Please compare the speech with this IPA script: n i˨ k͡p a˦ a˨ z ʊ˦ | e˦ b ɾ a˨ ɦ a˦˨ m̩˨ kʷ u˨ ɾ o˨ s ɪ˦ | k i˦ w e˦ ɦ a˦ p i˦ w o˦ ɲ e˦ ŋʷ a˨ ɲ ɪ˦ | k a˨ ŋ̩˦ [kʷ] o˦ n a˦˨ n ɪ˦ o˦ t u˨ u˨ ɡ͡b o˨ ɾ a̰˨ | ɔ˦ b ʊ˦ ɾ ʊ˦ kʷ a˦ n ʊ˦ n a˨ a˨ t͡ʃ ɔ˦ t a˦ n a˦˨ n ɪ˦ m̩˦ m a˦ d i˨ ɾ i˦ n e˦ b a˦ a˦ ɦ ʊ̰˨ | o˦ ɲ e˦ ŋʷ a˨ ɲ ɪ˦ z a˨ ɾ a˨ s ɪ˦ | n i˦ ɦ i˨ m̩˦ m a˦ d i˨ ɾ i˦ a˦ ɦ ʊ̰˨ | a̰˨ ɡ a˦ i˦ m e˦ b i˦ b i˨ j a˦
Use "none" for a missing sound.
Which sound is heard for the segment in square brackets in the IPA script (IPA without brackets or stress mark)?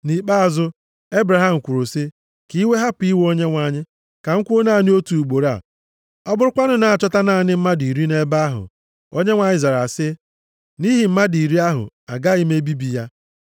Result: kʷ